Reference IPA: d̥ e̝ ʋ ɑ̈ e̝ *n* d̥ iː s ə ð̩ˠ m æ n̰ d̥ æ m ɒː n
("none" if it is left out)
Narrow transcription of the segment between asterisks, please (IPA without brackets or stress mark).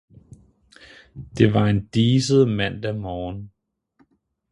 n